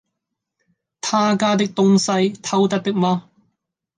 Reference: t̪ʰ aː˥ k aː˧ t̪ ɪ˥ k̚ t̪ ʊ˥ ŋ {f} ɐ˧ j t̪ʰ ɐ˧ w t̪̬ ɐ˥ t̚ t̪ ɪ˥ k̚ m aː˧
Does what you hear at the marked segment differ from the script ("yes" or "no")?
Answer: yes